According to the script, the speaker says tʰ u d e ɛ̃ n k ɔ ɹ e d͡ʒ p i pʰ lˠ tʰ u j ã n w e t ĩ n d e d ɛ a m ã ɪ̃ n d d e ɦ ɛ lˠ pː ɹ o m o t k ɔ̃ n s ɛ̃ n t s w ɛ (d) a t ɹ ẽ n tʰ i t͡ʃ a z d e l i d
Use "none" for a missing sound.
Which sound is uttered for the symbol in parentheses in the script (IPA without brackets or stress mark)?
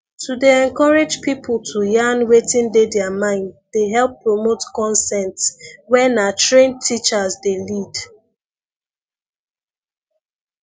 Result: n